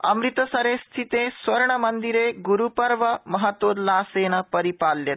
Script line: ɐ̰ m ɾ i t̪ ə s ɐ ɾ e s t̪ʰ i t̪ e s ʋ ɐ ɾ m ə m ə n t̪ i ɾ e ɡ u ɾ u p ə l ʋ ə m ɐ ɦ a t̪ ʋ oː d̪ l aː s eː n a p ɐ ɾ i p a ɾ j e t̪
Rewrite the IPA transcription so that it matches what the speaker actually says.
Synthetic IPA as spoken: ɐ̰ m ɾ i t̪ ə s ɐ ɾ e s t̪ʰ i t̪ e s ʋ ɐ ɾ ɳ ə m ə n d̪ i ɾ e ɡ u ɾ u p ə ɾ ʋ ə m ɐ ɦ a t̪ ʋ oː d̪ l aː s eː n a p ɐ ɾ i p a l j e t̪